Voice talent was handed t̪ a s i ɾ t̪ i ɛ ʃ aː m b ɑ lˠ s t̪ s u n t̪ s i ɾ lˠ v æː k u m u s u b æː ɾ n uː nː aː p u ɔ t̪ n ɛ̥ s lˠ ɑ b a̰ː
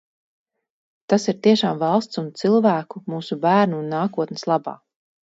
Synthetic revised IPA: t̪ a s i ɾ t̪ i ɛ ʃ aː m v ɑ lˠ s t̪ s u n t̪ s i lˠ v æː k u m uː s u b æː ɾ n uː nː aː k u ɔ t̪ n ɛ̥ s lˠ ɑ b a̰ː